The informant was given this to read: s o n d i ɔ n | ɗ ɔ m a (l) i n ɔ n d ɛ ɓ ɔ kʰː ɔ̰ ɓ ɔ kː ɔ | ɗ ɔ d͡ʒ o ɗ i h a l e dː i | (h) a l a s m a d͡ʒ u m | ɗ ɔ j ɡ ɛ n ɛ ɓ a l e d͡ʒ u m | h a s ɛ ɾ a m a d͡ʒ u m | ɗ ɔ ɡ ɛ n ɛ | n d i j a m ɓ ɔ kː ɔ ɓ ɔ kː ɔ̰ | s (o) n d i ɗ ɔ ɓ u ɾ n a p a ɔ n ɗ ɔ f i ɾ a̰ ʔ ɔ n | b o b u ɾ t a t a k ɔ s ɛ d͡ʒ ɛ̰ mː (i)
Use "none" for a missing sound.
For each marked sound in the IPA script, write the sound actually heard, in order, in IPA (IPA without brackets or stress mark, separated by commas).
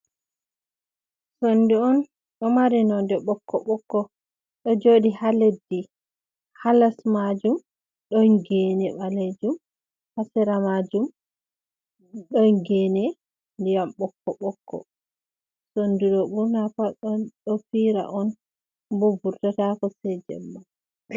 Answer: ɾ, h, o, a